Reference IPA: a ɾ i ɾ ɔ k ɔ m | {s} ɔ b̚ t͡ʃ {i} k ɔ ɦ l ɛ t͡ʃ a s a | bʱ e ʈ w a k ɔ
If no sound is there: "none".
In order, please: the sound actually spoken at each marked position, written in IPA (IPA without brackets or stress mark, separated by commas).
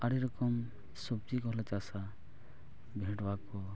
s, i